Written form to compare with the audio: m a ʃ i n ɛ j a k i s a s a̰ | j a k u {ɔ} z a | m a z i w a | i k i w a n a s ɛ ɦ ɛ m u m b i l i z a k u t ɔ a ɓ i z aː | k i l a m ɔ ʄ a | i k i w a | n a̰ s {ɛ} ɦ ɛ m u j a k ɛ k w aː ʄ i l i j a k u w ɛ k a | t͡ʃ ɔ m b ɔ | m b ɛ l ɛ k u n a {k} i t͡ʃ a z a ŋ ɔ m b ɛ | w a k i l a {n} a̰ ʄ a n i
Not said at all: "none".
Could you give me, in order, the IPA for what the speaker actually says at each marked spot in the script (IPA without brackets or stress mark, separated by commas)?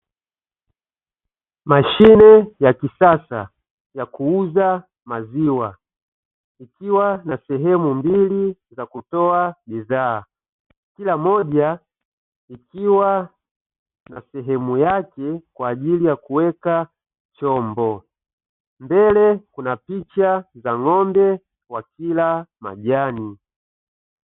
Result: u, ɛ, p, m